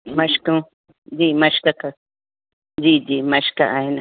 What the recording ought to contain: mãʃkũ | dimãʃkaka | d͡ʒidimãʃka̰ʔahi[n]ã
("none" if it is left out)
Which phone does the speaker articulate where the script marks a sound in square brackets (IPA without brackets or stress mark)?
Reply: n